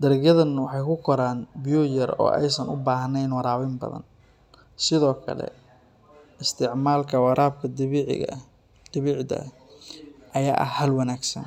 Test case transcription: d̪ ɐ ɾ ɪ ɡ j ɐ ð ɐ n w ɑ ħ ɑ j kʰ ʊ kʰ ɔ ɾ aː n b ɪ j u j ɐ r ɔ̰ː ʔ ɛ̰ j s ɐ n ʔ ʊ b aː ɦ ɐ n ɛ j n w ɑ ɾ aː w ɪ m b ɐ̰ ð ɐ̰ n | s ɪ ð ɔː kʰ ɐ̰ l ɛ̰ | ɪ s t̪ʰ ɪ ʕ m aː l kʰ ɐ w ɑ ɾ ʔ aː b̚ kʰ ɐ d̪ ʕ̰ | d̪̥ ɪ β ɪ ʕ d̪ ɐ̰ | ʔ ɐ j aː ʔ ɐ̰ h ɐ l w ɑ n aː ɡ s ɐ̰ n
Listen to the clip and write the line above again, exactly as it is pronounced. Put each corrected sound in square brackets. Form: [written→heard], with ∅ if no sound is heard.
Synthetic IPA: d̪ ɐ ɾ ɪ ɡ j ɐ ð ɐ n w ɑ ħ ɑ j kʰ ʊ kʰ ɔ ɾ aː n b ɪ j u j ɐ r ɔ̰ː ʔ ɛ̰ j s ɐ n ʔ ʊ b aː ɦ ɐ n ɛ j n w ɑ ɾ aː w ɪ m b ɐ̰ ð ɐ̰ n | s ɪ ð ɔː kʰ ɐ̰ l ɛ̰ | ɪ s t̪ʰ ɪ ʕ m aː l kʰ ɐ w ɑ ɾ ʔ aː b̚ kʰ ɐ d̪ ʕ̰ | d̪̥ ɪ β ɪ ʕ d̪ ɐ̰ | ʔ ɐ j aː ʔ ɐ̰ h ɐ l w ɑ n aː ɡ s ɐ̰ n